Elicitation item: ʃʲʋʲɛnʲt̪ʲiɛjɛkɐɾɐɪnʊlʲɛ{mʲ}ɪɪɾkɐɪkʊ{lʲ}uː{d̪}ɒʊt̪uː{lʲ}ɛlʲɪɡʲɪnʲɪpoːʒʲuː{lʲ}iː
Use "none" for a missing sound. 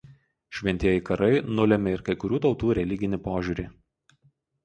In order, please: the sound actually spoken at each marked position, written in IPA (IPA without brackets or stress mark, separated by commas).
mʲ, ɾʲ, t̪, ɾʲ, ɾʲ